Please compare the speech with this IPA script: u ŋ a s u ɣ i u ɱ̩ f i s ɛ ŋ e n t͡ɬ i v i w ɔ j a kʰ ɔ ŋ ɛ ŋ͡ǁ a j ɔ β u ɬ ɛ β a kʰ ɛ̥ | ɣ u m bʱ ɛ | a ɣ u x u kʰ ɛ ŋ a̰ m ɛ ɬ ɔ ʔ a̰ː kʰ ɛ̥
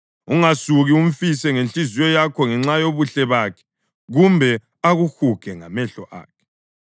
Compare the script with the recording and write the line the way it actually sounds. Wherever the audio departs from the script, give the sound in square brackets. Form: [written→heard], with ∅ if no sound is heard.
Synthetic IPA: u ŋ a s u ɣ i u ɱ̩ f i s ɛ ŋ e n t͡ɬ i [v→z] i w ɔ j a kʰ ɔ ŋ ɛ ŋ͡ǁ a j [ɔ→o] β u ɬ ɛ β a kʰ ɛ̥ | ɣ u m bʱ ɛ | a ɣ u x u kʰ ɛ ŋ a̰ m ɛ ɬ ɔ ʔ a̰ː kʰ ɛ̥